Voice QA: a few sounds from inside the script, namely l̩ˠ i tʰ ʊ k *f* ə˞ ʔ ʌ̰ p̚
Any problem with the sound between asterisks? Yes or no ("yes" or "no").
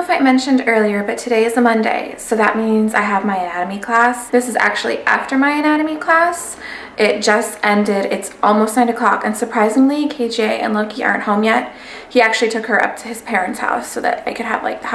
yes